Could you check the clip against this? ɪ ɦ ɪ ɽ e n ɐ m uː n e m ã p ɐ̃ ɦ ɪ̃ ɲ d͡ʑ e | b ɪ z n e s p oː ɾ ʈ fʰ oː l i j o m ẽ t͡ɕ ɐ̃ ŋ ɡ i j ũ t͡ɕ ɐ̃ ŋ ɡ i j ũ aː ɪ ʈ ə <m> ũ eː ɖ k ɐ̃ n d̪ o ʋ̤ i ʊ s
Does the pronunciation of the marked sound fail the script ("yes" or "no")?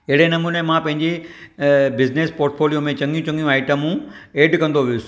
no